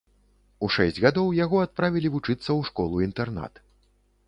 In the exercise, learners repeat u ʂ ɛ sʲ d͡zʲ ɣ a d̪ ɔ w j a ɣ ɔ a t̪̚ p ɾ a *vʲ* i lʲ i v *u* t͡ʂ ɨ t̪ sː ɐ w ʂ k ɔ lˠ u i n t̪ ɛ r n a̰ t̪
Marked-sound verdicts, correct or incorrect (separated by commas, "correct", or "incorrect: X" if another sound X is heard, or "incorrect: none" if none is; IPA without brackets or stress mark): correct, correct